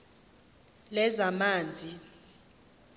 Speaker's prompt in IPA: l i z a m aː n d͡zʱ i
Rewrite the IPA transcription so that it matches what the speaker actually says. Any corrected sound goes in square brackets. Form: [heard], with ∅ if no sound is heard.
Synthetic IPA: l [ɛ] z a m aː n d͡zʱ i